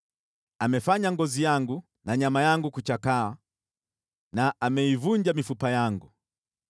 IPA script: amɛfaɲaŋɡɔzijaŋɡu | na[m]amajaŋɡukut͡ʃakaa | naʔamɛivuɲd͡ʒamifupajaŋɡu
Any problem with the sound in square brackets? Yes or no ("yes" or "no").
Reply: yes